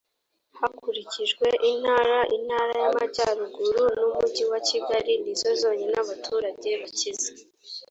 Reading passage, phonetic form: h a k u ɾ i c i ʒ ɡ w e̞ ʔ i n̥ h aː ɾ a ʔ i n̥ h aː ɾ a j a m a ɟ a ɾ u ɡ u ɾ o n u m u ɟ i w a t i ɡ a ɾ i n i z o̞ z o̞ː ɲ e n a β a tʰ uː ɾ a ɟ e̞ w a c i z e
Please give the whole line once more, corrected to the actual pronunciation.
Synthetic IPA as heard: h a k u ɾ i c i ʒ ɡ w e̞ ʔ i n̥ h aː ɾ a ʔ i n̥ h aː ɾ a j a m a ɟ a ɾ u ɡ u ɾ u n u m u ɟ i w a c i ɡ a ɾ i n i z o̞ z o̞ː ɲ e n a β a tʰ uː ɾ a ɟ e̞ β a c i z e